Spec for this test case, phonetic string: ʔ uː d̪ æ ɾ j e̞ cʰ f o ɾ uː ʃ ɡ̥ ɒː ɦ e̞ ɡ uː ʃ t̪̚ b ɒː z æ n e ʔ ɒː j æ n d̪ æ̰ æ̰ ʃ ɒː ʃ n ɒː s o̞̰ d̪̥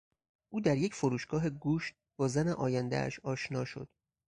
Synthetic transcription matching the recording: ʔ uː d̪ æ ɾ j e̞ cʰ f o ɾ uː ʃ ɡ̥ ɒː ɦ e̞ ɡ uː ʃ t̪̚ b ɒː z æ n e ʔ ɒː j æ n d̪ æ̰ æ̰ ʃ ɒː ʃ n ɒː ʃ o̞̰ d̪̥